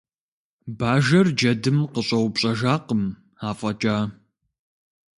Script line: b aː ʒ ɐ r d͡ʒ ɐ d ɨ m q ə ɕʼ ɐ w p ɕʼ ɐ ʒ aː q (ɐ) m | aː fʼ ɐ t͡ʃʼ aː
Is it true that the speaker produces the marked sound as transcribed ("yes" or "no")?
no